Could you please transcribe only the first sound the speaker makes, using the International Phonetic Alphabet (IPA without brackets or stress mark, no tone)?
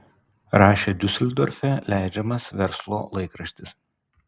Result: ɾ